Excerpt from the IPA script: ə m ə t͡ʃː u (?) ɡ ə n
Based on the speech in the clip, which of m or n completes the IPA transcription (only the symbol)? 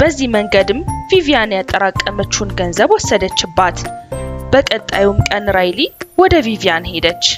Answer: n